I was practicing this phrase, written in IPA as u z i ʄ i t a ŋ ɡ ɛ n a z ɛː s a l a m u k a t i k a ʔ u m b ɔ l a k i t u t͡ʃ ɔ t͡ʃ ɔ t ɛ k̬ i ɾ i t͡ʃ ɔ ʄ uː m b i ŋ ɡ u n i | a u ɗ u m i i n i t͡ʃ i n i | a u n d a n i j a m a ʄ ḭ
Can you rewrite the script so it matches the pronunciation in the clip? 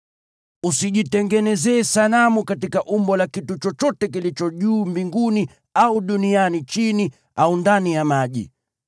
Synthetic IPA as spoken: u s i ʄ i t ɛ ŋ ɡ ɛ n ɛ z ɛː s a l a m u k a t i k a ʔ u m b ɔ l a k i t u t͡ʃ ɔ t͡ʃ ɔ t ɛ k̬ i l i t͡ʃ ɔ ʄ uː m b i ŋ ɡ u n i | a u ɗ u n i a n i t͡ʃ i n i | a u n d a n i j a m a ʄ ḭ